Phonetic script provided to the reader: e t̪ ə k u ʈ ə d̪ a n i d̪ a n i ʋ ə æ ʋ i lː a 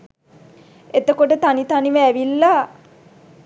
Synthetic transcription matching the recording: e t̪ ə k o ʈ ə t̪ a n i t̪ a n i ʋ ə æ ʋ i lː a